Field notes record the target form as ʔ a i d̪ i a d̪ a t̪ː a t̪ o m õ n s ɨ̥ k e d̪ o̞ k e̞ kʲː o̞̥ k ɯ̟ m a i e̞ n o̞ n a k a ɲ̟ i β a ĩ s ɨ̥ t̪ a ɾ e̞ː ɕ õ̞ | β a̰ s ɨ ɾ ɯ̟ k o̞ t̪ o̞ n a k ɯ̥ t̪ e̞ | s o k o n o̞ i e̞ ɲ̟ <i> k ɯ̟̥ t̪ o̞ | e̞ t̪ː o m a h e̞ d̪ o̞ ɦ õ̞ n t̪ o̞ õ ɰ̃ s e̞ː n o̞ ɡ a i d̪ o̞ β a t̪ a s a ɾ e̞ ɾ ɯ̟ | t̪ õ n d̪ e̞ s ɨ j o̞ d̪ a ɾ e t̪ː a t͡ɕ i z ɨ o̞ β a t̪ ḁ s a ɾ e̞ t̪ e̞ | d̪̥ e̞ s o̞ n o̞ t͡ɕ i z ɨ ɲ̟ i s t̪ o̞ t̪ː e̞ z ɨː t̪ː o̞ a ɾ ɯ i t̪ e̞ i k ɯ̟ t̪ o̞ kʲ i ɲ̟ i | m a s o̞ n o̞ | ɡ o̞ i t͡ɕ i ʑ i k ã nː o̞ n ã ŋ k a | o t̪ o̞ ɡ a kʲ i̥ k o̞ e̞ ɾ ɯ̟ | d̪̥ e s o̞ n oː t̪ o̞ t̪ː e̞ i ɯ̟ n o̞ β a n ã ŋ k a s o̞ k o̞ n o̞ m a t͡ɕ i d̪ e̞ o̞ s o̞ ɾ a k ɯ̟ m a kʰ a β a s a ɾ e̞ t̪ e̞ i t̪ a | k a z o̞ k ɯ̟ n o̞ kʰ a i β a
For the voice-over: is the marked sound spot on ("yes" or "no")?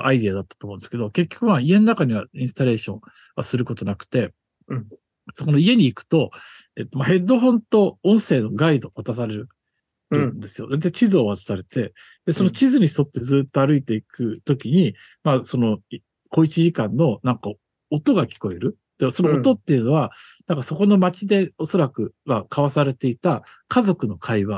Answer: no